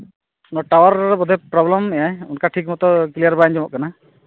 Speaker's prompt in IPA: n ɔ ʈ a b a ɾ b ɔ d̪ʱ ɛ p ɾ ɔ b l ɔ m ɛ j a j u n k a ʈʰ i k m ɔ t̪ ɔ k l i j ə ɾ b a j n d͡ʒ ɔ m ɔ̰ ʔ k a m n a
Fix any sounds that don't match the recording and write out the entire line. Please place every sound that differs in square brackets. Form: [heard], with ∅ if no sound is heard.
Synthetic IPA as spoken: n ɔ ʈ a [w] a ɾ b ɔ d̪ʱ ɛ p ɾ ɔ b l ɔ m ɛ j a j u n k a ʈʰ i k m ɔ t̪ ɔ k l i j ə ɾ b a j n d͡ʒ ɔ m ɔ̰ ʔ k a [∅] n a